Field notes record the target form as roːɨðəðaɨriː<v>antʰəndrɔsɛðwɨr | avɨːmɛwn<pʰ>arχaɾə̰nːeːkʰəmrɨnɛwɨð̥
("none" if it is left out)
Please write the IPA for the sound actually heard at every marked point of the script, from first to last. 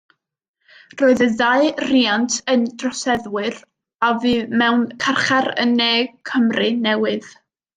none, kʰ

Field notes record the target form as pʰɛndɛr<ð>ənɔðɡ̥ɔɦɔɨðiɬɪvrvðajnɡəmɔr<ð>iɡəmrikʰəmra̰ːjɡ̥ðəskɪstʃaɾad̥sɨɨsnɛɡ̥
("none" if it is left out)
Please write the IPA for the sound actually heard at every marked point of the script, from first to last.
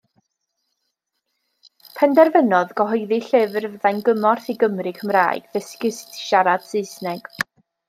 v, θ

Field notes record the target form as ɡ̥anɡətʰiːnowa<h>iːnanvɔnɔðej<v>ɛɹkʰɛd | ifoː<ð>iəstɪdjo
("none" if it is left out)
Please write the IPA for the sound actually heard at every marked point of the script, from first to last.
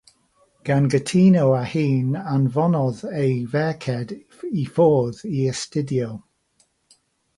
h, v, ð

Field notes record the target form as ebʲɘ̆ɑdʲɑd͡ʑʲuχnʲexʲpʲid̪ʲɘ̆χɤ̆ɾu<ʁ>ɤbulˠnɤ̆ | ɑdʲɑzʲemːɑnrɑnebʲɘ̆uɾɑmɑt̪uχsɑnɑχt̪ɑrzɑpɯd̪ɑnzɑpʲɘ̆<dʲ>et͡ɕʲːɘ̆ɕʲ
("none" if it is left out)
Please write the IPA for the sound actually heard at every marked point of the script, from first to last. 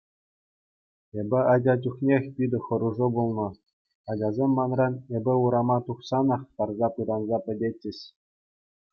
ʐ, dʲ

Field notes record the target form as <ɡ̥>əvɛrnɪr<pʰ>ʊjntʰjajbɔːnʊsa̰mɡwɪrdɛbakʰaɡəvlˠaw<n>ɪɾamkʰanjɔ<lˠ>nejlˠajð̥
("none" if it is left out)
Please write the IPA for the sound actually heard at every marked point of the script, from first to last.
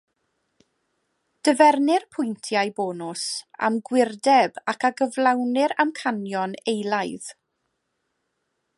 d̥, pʰ, n, none

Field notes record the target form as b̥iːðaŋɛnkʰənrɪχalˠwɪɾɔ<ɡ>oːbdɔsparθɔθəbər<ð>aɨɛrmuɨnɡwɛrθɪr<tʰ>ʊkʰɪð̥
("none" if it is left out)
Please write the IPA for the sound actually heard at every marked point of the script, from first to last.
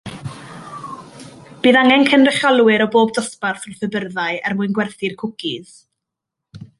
b, ð, kʰ

